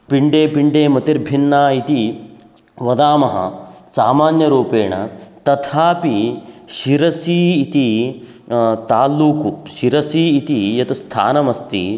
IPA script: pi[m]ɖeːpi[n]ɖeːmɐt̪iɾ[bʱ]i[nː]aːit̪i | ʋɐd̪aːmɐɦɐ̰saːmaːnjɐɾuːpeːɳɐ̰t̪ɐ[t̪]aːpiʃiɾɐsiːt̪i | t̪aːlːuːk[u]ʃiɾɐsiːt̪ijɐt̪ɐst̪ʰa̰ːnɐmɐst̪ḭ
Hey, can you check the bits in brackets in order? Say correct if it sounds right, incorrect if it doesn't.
incorrect, incorrect, correct, correct, incorrect, correct

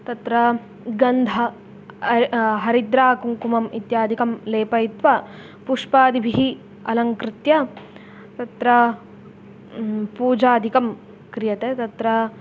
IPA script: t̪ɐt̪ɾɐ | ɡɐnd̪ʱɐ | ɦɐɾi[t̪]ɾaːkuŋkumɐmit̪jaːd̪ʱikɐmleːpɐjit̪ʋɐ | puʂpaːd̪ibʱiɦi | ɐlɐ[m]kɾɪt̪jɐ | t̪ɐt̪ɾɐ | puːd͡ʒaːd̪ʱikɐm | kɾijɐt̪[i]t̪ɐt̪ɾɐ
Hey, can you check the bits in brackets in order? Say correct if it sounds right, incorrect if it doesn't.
incorrect, incorrect, incorrect

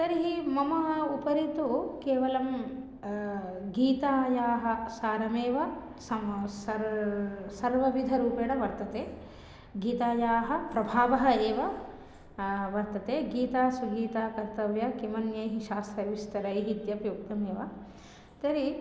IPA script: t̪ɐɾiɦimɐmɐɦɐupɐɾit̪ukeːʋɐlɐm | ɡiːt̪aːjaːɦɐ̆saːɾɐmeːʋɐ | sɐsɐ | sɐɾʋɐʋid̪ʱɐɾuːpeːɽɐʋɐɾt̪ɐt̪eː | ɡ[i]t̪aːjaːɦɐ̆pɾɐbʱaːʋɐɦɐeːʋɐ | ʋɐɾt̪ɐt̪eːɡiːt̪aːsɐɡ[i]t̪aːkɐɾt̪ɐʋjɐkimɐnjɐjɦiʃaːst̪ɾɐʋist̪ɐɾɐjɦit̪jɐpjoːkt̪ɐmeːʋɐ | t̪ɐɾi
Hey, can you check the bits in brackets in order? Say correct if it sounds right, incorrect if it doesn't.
incorrect, incorrect

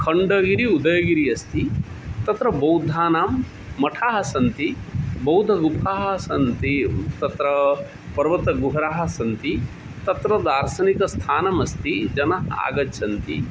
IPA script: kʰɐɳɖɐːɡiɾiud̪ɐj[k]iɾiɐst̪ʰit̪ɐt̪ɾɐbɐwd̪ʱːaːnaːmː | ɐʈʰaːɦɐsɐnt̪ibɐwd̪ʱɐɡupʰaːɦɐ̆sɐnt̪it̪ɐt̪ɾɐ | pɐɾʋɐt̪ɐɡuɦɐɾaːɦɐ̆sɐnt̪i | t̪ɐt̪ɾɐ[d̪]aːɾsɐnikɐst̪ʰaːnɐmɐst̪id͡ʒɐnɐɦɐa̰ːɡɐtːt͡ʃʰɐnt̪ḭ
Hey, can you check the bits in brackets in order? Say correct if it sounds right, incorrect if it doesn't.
incorrect, correct

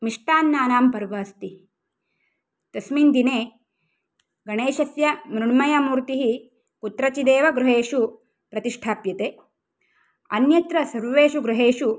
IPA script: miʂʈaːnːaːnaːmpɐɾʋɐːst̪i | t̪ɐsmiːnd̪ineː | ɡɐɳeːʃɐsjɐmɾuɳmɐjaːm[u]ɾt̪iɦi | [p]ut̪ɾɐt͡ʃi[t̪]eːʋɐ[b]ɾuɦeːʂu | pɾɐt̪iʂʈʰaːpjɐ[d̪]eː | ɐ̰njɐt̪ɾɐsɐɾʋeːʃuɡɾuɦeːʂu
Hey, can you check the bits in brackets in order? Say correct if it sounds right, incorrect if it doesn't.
incorrect, incorrect, incorrect, incorrect, incorrect

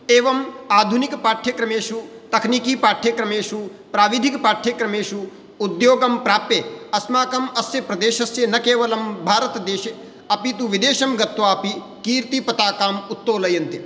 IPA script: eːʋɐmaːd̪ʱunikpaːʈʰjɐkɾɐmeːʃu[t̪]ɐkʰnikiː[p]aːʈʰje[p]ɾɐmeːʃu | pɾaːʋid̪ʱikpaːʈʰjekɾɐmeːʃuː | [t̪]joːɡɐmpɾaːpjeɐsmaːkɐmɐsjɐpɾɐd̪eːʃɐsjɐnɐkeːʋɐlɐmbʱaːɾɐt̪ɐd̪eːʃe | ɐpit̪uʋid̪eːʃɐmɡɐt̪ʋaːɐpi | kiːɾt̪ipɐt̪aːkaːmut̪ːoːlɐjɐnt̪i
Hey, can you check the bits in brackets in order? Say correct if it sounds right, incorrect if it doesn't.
correct, correct, incorrect, incorrect

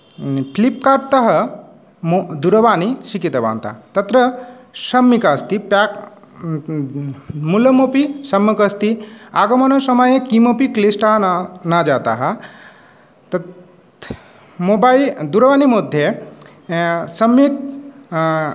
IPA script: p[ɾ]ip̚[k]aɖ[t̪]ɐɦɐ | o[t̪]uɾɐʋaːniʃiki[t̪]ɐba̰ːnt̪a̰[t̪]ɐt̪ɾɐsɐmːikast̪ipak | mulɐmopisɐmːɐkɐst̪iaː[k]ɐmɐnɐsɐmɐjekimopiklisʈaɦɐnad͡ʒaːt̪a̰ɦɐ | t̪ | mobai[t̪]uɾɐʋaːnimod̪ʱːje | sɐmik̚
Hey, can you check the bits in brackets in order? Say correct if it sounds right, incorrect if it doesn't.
incorrect, correct, correct, incorrect, correct, correct, incorrect, incorrect

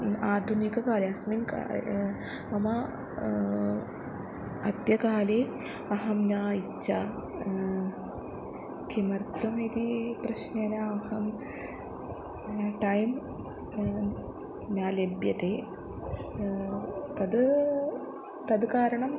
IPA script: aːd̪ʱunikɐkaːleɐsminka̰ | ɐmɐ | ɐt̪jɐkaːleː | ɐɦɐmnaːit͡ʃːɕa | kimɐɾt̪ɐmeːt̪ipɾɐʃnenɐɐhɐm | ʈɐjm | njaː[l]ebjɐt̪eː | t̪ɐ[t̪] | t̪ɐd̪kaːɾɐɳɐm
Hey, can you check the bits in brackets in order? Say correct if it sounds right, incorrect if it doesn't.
correct, incorrect

